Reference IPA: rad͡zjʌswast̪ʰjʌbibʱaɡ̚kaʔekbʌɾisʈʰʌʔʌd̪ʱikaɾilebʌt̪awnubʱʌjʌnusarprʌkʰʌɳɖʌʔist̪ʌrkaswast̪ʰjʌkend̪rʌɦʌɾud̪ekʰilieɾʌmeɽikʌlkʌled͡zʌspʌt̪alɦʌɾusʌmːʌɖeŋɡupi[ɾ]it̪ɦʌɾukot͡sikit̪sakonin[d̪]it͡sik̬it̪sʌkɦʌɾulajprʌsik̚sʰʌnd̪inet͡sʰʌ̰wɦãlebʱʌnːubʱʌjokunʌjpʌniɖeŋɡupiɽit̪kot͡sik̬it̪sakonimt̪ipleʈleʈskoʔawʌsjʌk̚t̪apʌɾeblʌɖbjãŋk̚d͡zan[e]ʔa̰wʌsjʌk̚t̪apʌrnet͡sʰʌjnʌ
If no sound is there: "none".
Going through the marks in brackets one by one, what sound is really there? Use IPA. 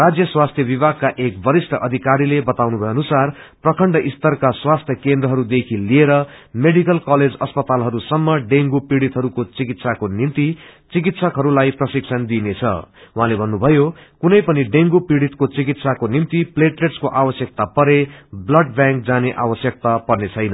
ɽ, t̪, e

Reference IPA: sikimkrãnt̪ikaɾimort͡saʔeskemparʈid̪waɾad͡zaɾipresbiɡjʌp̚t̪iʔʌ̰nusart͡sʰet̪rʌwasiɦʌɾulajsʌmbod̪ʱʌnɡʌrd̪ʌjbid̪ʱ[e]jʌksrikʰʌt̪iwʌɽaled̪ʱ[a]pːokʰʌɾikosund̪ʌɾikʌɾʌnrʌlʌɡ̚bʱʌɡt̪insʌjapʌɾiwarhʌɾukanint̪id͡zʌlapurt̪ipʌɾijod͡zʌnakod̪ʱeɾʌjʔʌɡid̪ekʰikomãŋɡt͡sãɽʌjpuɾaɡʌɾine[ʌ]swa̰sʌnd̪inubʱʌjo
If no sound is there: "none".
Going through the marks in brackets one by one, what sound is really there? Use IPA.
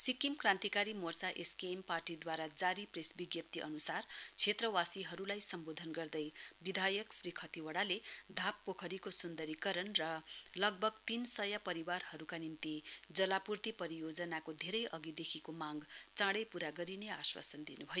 a, a, a

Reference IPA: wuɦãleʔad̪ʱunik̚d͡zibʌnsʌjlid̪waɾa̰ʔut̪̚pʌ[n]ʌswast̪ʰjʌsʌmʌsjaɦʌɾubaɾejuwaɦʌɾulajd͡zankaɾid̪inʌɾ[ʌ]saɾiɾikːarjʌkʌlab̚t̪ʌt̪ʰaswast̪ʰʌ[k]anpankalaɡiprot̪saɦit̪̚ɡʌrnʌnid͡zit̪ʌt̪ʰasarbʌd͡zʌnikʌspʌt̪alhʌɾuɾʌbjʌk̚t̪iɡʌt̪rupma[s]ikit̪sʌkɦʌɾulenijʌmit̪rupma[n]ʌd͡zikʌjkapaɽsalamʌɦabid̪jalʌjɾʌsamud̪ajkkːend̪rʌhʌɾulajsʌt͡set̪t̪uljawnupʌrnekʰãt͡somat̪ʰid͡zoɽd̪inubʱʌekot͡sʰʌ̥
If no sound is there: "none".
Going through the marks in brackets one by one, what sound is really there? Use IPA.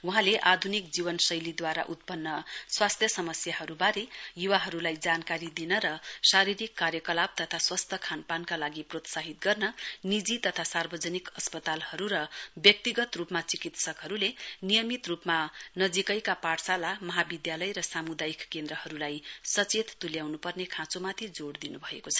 nː, ʌ, kʰ, t͡s, n

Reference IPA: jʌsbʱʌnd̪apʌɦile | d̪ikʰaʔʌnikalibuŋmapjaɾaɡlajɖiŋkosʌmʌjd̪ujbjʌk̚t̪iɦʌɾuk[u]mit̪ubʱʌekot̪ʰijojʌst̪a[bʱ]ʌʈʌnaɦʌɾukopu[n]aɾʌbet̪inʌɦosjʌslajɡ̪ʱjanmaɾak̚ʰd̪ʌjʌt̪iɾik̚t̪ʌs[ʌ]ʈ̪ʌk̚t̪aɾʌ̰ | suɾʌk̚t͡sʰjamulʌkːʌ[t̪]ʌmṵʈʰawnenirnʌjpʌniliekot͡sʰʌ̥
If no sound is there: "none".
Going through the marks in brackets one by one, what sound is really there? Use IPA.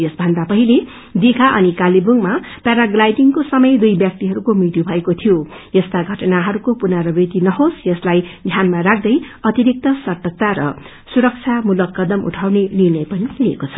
o, ɡʱ, n, ʌ, d̪

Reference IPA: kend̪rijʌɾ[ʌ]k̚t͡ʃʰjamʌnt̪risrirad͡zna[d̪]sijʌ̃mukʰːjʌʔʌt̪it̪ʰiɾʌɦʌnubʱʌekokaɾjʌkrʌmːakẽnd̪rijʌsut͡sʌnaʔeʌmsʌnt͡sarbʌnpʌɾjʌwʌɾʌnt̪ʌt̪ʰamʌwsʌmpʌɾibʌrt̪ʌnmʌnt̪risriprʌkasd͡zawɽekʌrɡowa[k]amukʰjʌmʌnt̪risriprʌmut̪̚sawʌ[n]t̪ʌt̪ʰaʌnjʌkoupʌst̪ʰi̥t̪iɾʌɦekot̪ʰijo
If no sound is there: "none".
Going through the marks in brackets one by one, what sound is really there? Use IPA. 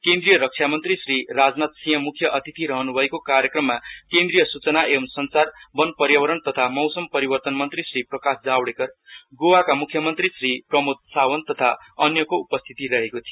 ʌ, t̪, k, n

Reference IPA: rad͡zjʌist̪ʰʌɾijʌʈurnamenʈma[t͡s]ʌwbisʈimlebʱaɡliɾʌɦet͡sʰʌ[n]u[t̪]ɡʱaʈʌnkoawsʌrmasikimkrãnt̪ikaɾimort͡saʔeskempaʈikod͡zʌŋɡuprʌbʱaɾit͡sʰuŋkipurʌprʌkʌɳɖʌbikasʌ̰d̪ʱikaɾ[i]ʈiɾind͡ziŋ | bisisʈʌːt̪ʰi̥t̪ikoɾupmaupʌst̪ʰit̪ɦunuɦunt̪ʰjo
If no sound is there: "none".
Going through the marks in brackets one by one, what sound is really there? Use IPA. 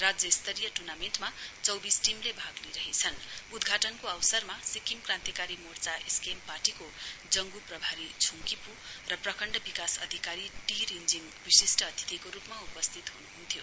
t͡s, n, d̪, i

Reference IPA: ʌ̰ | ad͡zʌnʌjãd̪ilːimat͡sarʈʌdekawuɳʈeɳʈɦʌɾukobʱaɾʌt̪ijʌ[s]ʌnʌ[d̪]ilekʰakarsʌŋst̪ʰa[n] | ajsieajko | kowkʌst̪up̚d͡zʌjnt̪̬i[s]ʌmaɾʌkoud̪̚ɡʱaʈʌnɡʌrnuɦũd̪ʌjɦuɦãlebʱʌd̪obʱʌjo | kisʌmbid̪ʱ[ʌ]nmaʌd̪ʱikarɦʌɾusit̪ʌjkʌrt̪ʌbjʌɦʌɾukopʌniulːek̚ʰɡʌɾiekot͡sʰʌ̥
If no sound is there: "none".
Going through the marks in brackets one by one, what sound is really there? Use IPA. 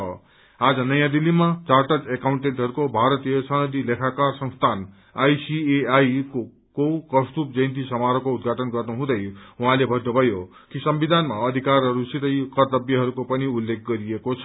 s, d̪, n, s, a

